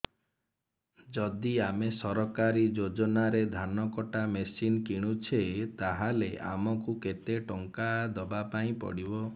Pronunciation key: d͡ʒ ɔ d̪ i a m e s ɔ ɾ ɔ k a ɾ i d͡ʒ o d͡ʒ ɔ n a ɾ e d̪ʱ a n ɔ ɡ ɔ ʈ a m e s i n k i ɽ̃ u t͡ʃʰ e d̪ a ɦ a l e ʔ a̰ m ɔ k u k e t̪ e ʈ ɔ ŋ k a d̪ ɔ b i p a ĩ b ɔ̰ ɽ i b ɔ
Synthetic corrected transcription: d͡ʒ ɔ d̪ i a m e s ɔ ɾ ɔ k a ɾ i d͡ʒ o d͡ʒ ɔ n a ɾ e d̪ʱ a n ɔ k ɔ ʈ a m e s i n k i ɽ̃ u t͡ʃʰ e t̪ a ɦ a l e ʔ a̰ m ɔ k u k e t̪ e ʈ ɔ ŋ k a d̪ ɔ b a p a ĩ p ɔ̰ ɽ i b ɔ